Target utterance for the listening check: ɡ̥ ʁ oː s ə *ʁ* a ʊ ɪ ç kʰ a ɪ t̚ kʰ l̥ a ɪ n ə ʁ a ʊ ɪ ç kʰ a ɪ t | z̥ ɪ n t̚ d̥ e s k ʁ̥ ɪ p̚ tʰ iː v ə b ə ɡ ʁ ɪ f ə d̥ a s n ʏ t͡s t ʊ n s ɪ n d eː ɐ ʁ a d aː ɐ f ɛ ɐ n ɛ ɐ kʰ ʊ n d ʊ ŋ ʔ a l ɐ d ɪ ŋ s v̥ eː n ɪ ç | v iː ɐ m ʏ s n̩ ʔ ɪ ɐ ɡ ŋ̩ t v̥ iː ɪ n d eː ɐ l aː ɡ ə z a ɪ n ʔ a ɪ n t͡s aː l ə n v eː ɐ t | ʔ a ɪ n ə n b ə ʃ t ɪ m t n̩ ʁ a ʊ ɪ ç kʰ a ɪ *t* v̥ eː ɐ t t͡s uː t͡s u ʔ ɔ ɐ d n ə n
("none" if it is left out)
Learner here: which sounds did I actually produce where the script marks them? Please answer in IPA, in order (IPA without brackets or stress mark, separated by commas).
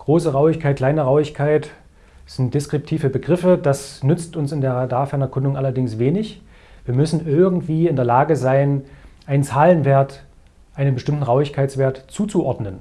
ʁ, t͡s